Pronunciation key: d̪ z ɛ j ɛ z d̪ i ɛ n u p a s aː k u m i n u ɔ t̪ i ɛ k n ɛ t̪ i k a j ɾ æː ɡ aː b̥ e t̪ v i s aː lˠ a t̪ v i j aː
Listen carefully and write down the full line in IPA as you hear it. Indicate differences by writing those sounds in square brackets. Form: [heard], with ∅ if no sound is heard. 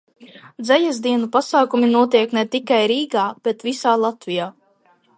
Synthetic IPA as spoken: d̪ z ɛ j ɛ z d̪ i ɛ n u p a s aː k u m i n u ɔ t̪ i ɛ k n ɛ t̪ i k a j ɾ [iː] ɡ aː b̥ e t̪ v i s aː lˠ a t̪ v i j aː